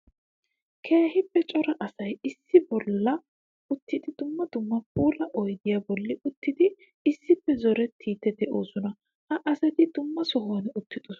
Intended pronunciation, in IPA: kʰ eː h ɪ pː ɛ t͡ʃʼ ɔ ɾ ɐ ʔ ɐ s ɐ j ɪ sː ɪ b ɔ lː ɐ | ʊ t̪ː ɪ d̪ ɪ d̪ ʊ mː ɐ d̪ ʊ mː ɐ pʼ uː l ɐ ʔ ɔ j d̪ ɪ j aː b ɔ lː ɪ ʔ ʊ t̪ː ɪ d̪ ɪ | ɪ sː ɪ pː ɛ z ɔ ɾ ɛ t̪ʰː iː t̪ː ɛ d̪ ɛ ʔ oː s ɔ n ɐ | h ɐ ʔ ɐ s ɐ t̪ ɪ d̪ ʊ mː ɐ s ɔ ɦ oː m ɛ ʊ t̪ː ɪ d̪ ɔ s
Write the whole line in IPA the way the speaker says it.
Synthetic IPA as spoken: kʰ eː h ɪ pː ɛ t͡ʃʼ ɔ ɾ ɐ ʔ ɐ s ɐ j ɪ sː ɪ b ɔ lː ɐ | ʊ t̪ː ɪ d̪ ɪ d̪ ʊ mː ɐ d̪ ʊ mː ɐ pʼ uː l ɐ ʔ ɔ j d̪ ɪ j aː b ɔ lː ɪ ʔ ʊ t̪ː ɪ d̪ ɪ | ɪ sː ɪ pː ɛ z ɔ ɾ ɛ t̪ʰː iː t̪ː ɛ d̪ ɛ ʔ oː s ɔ n ɐ | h ɐ ʔ ɐ s ɐ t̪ ɪ d̪ ʊ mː ɐ s ɔ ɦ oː n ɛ ʊ t̪ː ɪ d̪ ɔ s